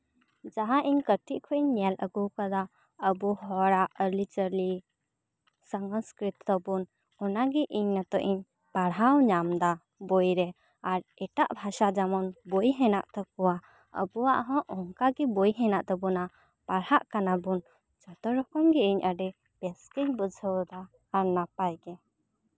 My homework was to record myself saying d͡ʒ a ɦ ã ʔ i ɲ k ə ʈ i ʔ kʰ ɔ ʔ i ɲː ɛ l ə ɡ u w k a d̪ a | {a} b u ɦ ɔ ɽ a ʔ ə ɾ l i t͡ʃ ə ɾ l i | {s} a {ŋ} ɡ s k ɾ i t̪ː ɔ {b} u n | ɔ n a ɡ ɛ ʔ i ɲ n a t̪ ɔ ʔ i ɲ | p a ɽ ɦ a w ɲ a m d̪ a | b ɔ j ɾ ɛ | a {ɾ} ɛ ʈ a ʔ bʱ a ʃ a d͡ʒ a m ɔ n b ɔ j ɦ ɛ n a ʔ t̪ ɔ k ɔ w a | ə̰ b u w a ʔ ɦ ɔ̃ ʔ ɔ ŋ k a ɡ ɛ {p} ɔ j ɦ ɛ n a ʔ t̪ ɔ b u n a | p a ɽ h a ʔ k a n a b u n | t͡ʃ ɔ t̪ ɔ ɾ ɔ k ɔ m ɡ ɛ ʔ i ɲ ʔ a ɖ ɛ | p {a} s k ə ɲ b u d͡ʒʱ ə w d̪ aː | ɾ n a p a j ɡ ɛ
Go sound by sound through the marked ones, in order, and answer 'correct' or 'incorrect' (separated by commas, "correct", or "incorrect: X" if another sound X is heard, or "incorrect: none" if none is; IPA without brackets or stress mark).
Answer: incorrect: ə, correct, correct, correct, correct, incorrect: b, incorrect: ɛ